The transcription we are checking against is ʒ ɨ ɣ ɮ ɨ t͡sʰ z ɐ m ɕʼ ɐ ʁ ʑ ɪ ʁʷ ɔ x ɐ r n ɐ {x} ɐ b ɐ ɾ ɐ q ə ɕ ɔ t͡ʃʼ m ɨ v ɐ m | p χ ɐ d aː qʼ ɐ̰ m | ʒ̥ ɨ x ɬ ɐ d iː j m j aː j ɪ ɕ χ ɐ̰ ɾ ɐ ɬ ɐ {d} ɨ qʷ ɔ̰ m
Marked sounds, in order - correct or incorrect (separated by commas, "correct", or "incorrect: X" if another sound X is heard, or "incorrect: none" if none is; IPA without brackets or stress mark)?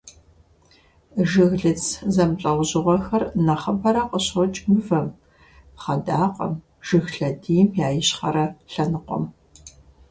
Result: incorrect: χ, incorrect: n